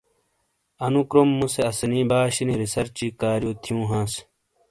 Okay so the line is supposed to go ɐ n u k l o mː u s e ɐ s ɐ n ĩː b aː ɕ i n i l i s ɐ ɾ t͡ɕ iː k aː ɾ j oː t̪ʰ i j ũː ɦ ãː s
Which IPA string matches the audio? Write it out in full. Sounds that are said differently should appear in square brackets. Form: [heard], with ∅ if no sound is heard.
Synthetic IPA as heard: ɐ n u k [ɾ] o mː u s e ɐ s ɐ n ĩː b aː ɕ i n i [ɾ] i s ɐ ɾ t͡ɕ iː k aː ɾ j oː t̪ʰ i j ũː ɦ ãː s